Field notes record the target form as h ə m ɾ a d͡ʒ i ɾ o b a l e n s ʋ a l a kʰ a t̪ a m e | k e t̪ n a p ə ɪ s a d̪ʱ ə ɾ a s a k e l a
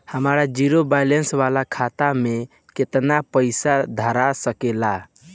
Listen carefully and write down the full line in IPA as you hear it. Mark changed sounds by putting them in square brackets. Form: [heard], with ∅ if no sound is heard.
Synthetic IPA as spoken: h ə m ɾ a d͡ʒ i ɾ o b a l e n s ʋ a l a kʰ a t̪ a m e | k e t̪ n a p ə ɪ s a d̪ʱ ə ɾ a s [ə] k e l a